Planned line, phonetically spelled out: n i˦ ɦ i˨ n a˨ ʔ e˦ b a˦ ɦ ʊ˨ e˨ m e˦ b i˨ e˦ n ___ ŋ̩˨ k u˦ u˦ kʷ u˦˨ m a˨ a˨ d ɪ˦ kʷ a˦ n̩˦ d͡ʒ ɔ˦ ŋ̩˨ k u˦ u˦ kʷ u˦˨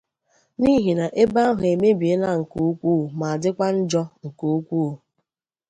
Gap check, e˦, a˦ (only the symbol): a˦